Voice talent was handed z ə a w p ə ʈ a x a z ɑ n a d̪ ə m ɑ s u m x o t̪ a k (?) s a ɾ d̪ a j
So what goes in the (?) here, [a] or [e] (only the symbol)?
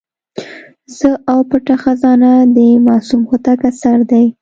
a